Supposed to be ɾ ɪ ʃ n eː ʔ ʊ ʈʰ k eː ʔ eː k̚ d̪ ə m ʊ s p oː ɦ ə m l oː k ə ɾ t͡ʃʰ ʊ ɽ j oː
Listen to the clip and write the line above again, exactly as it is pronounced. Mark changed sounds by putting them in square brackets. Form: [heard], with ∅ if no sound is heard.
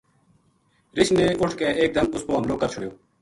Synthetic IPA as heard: ɾ ɪ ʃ n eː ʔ ʊ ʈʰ k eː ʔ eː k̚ d̪ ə m ʊ s p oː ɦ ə m l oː k ə ɾ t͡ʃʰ ʊ ɽ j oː